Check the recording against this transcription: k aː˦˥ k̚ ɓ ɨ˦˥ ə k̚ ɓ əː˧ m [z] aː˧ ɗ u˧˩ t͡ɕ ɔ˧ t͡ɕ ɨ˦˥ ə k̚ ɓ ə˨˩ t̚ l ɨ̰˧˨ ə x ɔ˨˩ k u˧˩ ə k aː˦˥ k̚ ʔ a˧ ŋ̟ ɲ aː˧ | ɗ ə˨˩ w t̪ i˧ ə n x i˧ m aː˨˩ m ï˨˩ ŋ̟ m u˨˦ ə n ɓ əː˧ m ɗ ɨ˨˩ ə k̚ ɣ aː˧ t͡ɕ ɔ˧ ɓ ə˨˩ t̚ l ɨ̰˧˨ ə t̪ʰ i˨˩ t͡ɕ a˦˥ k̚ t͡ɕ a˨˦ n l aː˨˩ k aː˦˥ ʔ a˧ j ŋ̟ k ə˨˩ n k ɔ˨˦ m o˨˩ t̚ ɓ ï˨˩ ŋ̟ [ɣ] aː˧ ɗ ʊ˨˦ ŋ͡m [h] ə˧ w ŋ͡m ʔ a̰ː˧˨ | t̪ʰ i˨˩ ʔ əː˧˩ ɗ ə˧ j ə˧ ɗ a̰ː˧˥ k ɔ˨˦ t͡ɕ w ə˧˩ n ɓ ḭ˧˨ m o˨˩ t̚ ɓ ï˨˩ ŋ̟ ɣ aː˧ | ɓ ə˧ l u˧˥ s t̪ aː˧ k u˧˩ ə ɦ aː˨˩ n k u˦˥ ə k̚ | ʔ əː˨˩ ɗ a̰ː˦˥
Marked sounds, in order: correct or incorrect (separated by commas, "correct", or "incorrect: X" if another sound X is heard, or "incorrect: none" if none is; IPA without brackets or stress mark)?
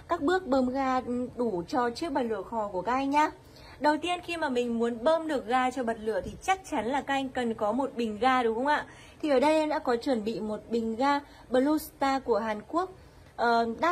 incorrect: ɣ, correct, incorrect: x